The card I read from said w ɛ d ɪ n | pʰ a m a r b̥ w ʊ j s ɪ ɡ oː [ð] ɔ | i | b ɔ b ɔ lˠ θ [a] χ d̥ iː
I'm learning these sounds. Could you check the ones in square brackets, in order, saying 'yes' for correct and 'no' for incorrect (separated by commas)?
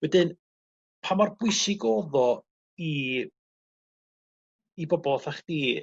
yes, yes